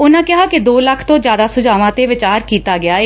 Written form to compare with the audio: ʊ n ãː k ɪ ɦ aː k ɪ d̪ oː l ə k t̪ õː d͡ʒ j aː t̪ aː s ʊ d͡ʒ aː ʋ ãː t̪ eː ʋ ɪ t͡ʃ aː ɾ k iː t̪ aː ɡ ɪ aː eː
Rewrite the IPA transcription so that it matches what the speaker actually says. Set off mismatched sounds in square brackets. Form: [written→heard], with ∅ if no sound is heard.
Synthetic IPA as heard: ʊ n ãː k ɪ ɦ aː k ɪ d̪ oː l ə [k→kʰ] t̪ õː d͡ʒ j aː [t̪→d̪] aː s ʊ d͡ʒ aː ʋ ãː t̪ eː ʋ ɪ t͡ʃ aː ɾ k iː t̪ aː ɡ ɪ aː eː